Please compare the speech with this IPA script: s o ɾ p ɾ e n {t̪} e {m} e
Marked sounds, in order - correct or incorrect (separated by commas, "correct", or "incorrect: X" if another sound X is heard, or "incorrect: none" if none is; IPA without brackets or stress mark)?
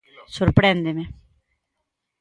incorrect: d̪, correct